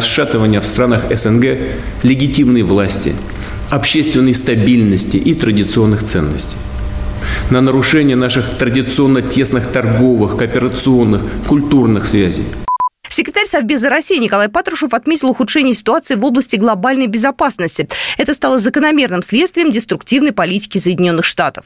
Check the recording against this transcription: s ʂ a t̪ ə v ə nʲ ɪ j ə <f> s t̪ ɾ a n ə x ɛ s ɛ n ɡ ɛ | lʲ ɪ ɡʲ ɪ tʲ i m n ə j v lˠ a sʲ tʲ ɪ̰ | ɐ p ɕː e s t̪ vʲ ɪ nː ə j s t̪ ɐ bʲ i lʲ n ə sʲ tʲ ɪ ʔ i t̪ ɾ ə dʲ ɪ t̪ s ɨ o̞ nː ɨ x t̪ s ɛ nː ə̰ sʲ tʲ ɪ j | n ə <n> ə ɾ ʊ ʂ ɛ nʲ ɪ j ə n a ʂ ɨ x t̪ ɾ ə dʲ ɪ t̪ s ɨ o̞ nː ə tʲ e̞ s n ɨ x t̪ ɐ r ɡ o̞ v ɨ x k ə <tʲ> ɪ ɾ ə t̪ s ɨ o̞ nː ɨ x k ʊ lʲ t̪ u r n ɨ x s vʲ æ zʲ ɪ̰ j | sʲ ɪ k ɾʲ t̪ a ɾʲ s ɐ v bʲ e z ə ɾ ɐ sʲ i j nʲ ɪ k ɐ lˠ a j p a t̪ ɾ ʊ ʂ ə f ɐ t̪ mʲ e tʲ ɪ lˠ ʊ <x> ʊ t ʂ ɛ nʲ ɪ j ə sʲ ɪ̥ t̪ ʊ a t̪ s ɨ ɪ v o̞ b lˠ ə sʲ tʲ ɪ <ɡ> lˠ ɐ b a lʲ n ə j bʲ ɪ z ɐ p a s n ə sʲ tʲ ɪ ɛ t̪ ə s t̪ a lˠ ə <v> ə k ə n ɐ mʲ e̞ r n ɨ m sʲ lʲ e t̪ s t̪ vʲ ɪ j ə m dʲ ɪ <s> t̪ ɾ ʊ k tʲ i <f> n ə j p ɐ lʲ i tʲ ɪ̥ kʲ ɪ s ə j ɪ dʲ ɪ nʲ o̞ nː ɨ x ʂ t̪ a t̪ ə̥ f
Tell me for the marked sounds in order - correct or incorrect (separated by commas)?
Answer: correct, correct, incorrect, correct, correct, incorrect, correct, incorrect